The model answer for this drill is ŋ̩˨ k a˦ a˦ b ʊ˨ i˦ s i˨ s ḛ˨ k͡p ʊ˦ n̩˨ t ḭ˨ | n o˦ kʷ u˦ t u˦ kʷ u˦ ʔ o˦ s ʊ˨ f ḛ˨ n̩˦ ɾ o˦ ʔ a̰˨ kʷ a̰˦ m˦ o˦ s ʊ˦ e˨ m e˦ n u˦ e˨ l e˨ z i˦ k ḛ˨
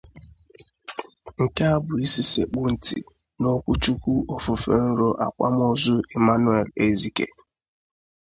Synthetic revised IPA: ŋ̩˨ k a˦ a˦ b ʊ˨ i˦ s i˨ s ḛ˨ k͡p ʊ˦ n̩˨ t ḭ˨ | n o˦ kʷ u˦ t͡ʃ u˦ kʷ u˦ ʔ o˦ f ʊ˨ f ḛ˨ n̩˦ ɾ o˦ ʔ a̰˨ kʷ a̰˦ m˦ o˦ z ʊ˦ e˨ m a˦ n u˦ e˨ l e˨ z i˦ k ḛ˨

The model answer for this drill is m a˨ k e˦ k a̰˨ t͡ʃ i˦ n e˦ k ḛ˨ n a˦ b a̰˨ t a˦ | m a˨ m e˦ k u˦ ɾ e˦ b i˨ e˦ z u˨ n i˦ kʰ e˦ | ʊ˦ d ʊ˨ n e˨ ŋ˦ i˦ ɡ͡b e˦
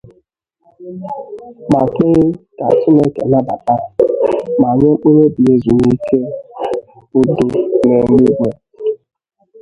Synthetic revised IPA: m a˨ k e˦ k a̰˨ t͡ʃ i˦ n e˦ k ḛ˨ n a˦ b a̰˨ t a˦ | m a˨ ɲ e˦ k͡p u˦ ɾ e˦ b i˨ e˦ z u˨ n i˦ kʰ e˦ | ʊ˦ d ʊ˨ n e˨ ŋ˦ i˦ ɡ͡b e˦

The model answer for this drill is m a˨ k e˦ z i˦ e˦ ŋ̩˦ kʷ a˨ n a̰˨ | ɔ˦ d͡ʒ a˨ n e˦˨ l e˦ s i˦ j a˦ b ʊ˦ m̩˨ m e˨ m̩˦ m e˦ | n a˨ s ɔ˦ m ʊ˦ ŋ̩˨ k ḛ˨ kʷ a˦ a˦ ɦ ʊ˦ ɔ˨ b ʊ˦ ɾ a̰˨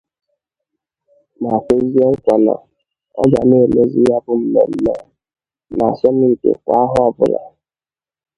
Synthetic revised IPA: m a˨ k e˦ z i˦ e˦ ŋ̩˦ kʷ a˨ n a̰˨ | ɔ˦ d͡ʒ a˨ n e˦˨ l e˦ z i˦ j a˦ b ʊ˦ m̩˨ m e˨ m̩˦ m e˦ | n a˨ s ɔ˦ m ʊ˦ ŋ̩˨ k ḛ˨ kʷ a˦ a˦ ɦ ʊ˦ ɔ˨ b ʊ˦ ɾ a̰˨

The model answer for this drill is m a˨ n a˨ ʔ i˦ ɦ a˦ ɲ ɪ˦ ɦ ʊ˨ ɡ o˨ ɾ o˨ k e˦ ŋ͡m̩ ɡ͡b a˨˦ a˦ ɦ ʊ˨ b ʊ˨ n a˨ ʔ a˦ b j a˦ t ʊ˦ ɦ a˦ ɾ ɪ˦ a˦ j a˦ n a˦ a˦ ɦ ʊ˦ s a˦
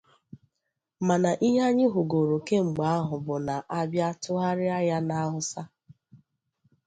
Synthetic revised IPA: m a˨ n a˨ ʔ i˦ ɦ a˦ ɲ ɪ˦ ɦ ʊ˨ ɡ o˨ ɾ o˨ k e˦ ŋ͡m̩ ɡ͡b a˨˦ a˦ ɦ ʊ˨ b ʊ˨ n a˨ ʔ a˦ b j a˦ t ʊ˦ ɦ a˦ ɾ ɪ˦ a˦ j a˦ n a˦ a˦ ɦ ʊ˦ s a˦

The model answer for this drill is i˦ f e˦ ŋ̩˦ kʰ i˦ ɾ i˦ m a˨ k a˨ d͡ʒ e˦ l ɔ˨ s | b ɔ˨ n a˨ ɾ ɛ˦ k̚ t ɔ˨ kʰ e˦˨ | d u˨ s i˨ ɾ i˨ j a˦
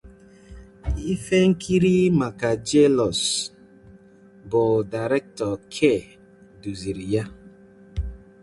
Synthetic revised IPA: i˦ f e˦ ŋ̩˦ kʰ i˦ ɾ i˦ m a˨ k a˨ d͡ʒ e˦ l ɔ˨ s | b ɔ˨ d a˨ ɾ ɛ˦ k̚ t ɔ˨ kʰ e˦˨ | d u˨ z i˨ ɾ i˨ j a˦

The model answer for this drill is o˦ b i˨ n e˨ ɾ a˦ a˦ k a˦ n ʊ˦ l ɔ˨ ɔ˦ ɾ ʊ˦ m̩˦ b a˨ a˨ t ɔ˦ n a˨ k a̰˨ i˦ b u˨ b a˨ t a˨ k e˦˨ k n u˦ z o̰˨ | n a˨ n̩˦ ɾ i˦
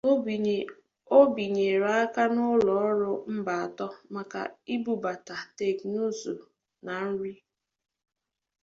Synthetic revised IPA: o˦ b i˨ ɲ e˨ ɾ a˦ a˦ k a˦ n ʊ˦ l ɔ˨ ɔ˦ ɾ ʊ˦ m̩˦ b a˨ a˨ t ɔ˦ m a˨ k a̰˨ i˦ b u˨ b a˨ t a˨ t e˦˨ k n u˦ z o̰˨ | n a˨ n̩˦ ɾ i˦

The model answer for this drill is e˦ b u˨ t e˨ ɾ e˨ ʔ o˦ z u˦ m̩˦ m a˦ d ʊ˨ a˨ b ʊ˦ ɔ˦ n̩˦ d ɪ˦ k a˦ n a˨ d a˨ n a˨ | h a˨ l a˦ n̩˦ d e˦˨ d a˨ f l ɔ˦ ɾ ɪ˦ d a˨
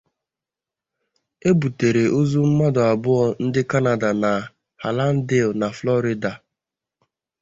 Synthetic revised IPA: e˦ b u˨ t e˨ ɾ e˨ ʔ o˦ z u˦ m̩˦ m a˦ d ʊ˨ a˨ b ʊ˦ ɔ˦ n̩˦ d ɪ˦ k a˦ n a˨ d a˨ n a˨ | h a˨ l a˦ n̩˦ d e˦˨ n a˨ f l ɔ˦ ɾ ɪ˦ d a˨

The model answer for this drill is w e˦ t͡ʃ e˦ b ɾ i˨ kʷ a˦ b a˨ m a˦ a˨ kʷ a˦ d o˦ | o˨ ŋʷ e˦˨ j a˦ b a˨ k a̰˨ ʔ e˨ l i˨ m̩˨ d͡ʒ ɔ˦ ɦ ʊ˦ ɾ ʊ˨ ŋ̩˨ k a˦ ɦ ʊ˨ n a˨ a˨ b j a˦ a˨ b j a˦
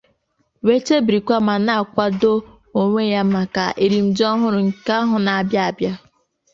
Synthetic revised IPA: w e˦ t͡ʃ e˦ b ɾ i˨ kʷ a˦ m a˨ n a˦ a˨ kʷ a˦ d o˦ | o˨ ŋʷ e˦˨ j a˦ m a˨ k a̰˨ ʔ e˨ ɾ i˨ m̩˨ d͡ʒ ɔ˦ ɦ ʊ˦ ɾ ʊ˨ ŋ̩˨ k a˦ ɦ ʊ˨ n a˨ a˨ b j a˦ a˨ b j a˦

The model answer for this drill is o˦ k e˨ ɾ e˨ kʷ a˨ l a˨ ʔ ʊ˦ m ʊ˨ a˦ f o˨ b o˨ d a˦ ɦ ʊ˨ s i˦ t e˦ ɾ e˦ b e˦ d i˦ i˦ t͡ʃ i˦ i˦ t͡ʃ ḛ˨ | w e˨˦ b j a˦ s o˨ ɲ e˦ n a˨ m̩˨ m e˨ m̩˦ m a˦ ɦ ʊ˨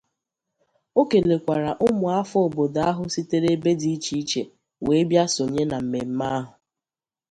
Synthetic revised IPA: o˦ k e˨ l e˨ kʷ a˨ ɾ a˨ ʔ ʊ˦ m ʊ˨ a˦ f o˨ b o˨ d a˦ ɦ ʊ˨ s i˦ t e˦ ɾ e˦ b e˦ d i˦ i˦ t͡ʃ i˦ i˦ t͡ʃ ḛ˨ | w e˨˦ b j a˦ s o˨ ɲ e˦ n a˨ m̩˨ m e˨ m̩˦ m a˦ ɦ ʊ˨

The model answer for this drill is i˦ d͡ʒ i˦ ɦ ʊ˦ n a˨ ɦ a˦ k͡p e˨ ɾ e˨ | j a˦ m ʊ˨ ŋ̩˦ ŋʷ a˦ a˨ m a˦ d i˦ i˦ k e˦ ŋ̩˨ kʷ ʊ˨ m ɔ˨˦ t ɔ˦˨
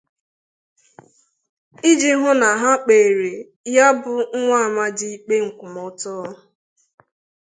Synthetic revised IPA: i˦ d͡ʒ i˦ ɦ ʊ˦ n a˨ ɦ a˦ k͡p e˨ ɾ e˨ | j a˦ b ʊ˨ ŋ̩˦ ŋʷ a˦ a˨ m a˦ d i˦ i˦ k͡p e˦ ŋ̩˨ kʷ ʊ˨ m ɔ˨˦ t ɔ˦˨

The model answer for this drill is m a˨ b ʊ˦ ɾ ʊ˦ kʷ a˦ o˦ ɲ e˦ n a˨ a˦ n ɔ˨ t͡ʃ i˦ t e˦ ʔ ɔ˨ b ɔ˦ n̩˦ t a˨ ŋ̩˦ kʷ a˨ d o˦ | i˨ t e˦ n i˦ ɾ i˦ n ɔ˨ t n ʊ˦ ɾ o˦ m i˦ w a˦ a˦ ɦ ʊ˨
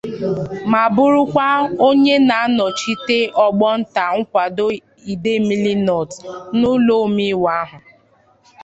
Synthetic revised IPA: m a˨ b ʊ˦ ɾ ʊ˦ kʷ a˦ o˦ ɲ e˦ n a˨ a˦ n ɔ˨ t͡ʃ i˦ t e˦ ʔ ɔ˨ ɡ͡b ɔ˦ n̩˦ t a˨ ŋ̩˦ kʷ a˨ d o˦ | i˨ d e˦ m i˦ l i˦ n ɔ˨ t n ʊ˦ l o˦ m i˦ w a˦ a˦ ɦ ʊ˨

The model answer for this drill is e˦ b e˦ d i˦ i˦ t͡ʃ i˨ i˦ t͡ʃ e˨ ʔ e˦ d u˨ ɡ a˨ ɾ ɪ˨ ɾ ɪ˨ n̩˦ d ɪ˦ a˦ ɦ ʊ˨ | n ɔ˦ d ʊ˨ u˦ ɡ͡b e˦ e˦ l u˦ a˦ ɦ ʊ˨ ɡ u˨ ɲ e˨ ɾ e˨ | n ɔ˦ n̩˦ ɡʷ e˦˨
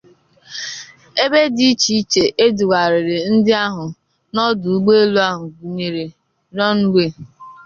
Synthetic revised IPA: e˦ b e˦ d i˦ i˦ t͡ʃ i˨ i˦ t͡ʃ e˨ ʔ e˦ d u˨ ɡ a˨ ɾ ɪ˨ ɾ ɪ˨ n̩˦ d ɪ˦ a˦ ɦ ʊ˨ | n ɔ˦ d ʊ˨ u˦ ɡ͡b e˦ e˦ l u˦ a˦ ɦ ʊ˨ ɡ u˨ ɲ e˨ ɾ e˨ | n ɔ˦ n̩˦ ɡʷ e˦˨

